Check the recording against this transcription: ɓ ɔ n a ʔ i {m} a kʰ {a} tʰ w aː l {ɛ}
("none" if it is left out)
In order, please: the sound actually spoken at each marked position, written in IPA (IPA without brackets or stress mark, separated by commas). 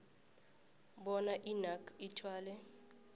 n, i, ɛ